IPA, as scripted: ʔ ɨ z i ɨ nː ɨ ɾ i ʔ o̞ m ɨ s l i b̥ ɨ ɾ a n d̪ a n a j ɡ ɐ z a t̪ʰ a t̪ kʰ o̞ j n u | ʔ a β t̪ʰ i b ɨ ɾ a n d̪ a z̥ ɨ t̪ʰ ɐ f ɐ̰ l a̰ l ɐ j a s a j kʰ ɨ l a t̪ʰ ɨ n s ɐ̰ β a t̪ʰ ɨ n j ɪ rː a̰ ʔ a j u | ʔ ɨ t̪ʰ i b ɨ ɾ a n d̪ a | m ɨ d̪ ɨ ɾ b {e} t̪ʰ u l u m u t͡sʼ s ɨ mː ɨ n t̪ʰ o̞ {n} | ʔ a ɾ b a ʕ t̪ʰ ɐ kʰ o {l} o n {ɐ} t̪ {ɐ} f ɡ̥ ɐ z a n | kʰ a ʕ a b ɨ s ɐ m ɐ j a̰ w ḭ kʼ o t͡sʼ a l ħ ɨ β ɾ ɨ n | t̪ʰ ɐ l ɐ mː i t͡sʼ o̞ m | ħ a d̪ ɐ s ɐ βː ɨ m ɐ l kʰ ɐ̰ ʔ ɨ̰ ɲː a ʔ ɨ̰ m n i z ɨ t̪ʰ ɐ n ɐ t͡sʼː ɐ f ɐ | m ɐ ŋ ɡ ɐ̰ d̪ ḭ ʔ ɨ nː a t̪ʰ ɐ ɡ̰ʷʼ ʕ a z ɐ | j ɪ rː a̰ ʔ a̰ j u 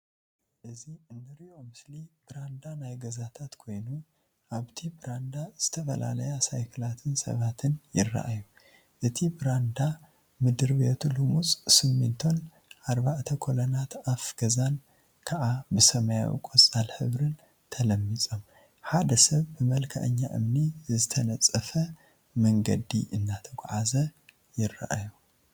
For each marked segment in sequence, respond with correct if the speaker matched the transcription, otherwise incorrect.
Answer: correct, correct, correct, incorrect: a, incorrect: a

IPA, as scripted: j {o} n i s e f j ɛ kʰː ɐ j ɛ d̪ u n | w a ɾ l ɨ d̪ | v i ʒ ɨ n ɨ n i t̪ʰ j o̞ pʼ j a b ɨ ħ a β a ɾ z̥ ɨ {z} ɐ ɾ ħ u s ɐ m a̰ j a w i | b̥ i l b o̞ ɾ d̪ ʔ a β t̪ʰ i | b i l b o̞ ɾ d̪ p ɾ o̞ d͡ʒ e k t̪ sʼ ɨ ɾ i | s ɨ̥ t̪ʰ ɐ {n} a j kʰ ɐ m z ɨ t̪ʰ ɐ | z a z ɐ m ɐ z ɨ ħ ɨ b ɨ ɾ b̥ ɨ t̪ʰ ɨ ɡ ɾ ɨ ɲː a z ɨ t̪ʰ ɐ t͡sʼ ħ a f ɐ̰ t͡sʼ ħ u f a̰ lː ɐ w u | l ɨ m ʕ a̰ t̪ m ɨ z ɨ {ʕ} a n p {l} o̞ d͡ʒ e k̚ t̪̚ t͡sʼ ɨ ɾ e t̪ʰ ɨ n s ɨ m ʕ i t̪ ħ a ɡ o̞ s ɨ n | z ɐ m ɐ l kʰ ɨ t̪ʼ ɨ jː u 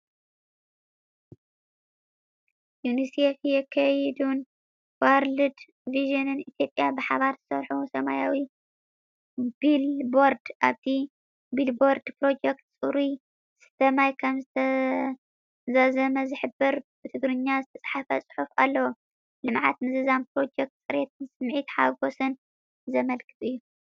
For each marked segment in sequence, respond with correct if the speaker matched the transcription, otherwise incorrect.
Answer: incorrect: u, incorrect: s, incorrect: m, incorrect: z, incorrect: ɾ

